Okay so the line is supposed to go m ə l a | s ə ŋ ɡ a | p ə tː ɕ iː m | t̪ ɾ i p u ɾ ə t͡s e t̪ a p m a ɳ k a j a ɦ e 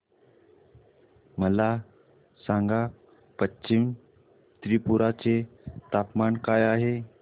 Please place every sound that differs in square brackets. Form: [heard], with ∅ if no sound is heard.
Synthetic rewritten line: m ə l a | s [a] ŋ ɡ a | p ə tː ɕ [i] m | t̪ ɾ i p u ɾ [a] t͡s e t̪ a p m a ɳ k a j a ɦ e